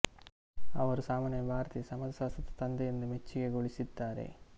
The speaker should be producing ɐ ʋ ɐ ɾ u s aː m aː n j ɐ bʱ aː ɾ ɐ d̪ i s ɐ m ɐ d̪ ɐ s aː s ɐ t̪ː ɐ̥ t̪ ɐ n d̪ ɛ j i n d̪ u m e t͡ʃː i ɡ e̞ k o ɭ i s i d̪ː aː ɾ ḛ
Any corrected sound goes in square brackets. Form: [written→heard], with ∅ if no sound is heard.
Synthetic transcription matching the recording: ɐ ʋ ɐ ɾ u s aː m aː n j ɐ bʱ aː ɾ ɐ [d̪→t̪] i s ɐ m ɐ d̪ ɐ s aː s ɐ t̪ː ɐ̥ t̪ ɐ n d̪ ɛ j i n d̪ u m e t͡ʃː i ɡ e̞ [k→ɡ] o ɭ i s i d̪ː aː ɾ ḛ